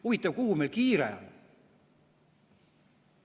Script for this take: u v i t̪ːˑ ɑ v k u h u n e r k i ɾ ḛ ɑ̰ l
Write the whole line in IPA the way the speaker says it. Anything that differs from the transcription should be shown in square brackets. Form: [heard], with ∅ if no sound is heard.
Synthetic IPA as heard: u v i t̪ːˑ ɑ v k u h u [m] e [l] k [iː] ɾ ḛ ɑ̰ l